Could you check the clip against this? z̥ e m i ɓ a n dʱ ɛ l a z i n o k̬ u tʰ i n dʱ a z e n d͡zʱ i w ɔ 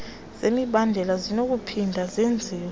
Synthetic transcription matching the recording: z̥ e m i ɓ a n dʱ ɛ l a z i n o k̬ u pʰ i n dʱ a z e n d͡zʱ i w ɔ